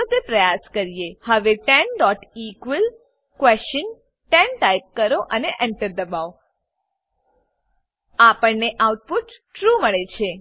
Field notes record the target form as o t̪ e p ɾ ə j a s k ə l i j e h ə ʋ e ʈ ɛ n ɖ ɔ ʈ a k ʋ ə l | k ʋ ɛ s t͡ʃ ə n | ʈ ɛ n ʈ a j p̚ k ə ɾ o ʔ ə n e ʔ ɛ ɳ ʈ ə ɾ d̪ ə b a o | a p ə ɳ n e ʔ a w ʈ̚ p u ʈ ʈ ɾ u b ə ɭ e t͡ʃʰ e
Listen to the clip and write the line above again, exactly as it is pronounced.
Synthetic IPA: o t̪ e p ɾ ə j a s k ə ɾ i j e h ə ʋ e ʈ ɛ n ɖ ɔ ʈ i k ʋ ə l | k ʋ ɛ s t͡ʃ ə n | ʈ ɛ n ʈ a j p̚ k ə ɾ o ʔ ə n e ʔ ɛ ɳ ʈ ə ɾ d̪ ə b a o | a p ə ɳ n e ʔ a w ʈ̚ p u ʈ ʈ ɾ u m ə ɭ e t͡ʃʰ e